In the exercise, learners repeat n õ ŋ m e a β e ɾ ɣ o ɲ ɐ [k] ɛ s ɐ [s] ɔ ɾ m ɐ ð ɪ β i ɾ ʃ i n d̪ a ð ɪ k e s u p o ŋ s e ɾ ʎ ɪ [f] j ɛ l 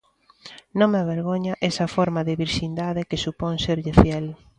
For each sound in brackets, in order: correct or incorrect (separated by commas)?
incorrect, incorrect, correct